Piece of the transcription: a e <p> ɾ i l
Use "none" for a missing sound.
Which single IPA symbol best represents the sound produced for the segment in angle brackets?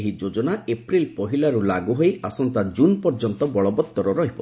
p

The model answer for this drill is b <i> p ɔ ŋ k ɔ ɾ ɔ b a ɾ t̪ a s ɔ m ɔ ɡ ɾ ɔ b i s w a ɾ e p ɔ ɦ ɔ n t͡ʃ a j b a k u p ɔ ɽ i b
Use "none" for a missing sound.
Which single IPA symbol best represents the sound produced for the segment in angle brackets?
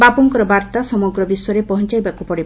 a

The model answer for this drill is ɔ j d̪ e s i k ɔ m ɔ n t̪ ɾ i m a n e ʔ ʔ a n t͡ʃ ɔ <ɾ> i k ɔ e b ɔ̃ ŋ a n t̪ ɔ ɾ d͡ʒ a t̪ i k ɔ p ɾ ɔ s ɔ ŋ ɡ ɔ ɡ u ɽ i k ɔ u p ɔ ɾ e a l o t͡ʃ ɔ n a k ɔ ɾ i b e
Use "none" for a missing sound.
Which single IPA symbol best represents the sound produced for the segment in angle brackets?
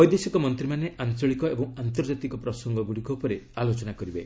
ɭ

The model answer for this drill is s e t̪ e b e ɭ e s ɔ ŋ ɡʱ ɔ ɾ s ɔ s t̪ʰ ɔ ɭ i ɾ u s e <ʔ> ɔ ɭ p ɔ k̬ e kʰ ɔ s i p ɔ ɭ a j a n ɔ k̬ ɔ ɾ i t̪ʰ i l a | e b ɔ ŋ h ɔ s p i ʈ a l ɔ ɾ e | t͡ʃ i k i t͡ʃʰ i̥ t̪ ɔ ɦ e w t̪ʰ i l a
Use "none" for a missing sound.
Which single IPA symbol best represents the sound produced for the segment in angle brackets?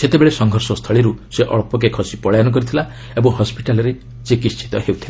ʔ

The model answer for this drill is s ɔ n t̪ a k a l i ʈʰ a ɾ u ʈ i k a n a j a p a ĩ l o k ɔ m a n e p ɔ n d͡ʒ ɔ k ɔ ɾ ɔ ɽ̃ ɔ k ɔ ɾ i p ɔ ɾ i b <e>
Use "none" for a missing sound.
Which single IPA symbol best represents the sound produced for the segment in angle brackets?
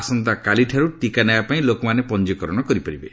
e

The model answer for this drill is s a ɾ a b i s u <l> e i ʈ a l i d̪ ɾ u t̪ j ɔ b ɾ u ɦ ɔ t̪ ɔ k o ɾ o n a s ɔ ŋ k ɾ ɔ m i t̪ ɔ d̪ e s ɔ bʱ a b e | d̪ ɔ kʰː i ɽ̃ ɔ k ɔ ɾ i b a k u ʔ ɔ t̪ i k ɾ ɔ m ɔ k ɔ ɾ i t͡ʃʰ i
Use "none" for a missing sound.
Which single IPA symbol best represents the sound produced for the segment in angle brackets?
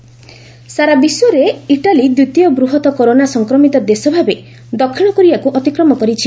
ɾ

